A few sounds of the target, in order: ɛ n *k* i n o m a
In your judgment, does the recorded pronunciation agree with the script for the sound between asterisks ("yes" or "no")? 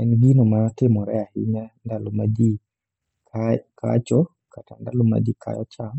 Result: no